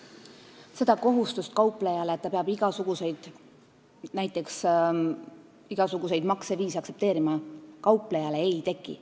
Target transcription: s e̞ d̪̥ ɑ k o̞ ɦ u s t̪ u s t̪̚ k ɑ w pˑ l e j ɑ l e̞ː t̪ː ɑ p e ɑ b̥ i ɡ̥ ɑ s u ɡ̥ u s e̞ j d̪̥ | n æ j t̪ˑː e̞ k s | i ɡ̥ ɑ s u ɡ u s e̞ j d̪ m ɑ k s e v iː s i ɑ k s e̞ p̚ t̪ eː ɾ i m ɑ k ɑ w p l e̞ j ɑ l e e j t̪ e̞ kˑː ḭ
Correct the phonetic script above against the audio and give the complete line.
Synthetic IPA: s e̞ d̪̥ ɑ k o̞ ɦ u s t̪ u s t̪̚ k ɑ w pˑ l e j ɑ l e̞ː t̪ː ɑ p e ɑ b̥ i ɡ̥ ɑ s u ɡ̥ u s e̞ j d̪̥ | n æ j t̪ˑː e̞ k s | i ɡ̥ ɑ s u ɡ u s e̞ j d̪ m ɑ k s e v iː s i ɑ k s e̞ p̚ t̪ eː ɾ i m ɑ k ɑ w p l e̞ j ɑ l e e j t̪ e̞ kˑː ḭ